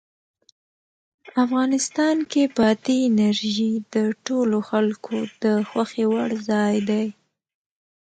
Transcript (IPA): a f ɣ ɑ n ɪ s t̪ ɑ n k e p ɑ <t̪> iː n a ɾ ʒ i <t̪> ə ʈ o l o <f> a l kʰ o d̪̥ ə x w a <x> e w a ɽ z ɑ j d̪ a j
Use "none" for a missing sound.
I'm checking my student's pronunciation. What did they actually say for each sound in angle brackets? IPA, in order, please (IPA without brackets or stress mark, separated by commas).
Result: t̪, d̪, x, x